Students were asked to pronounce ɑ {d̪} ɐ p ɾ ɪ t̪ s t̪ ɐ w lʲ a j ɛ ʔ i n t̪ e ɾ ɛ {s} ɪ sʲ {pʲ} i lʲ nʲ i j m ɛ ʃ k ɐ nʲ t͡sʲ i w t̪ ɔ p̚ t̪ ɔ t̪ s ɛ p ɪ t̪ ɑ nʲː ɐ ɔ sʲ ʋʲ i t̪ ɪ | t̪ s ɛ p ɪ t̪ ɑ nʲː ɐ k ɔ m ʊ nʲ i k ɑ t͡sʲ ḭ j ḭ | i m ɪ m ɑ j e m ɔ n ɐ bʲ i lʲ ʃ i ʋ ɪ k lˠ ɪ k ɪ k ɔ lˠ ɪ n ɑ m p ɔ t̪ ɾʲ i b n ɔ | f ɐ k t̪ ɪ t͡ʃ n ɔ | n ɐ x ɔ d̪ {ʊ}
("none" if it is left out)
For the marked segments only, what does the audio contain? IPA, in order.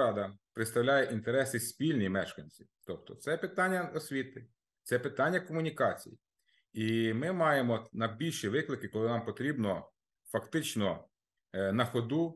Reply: d̪, s, pʲ, u

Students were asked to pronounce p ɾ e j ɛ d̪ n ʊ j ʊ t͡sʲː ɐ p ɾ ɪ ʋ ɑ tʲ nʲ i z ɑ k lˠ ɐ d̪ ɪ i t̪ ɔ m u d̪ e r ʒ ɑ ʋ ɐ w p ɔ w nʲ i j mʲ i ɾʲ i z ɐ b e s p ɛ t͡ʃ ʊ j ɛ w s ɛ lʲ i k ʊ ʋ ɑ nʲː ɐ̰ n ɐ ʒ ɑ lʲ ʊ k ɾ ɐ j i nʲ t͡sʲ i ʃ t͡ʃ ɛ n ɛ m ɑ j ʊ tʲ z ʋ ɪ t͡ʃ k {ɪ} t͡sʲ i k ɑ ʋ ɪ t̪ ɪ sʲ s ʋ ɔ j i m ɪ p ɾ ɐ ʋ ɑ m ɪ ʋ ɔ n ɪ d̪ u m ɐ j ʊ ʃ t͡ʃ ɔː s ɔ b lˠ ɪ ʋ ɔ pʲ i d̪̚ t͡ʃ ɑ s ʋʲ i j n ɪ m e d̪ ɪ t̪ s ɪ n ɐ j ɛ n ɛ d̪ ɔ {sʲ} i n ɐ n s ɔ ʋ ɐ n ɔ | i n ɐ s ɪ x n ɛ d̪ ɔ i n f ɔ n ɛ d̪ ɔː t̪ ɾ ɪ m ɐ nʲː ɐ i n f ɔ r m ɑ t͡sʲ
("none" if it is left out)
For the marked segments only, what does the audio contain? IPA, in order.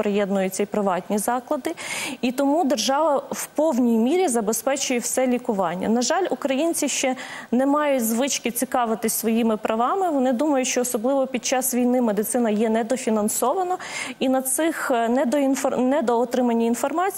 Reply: ɪ, fʲ

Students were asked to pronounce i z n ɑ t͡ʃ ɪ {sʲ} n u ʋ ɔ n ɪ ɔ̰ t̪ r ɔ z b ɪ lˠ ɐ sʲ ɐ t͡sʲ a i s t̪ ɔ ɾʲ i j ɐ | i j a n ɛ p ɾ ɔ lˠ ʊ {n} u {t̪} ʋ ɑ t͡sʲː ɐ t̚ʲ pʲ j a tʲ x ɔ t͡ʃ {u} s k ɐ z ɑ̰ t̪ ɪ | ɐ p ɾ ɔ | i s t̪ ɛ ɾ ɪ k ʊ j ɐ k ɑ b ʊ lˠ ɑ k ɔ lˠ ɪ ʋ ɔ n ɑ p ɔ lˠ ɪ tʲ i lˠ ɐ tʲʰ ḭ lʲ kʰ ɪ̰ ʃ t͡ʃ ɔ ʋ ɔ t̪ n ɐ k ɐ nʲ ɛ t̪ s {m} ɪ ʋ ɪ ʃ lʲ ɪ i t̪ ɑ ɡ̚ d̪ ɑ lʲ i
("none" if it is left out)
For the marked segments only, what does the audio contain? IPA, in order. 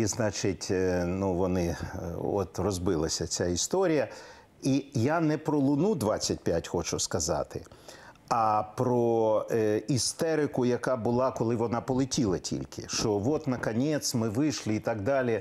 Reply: tʲ, n, d̪, ʊ, m

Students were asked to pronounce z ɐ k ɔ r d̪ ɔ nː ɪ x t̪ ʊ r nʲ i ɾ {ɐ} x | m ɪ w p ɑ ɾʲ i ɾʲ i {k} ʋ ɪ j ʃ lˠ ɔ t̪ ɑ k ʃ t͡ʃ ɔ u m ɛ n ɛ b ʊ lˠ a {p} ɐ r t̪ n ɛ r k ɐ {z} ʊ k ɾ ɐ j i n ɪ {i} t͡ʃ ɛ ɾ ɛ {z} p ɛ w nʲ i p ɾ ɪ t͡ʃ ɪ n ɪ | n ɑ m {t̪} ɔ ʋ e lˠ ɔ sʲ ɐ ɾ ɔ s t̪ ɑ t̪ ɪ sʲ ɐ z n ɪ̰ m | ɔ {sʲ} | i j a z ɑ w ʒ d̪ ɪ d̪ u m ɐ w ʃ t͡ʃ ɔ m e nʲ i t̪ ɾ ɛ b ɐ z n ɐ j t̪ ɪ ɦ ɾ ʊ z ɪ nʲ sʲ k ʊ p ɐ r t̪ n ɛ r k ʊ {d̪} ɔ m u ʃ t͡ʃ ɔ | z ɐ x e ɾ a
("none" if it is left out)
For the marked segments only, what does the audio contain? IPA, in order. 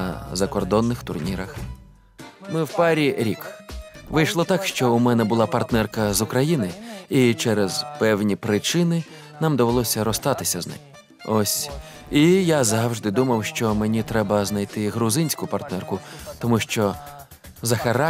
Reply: ɐ, k, p, z, i, z, d̪, sʲ, t̪

